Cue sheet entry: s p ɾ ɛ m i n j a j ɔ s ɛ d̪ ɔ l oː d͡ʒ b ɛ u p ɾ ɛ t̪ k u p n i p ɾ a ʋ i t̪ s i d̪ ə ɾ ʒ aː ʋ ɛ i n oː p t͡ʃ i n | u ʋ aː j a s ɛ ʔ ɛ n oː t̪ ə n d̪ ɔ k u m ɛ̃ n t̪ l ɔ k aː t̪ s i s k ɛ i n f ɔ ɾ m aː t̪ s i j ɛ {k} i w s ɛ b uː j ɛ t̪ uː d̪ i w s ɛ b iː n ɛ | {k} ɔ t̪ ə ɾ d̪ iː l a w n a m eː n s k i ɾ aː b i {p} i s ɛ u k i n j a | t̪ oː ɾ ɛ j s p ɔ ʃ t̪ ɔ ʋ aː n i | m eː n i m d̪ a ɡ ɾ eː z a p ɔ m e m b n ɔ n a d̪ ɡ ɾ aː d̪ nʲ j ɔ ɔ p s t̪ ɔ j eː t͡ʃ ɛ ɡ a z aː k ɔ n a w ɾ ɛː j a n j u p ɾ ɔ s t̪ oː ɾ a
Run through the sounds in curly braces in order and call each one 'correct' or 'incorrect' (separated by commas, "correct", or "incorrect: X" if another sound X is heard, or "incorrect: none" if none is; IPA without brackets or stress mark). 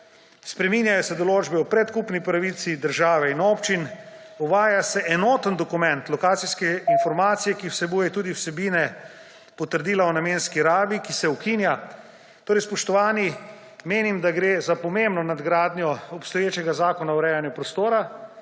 correct, incorrect: p, incorrect: k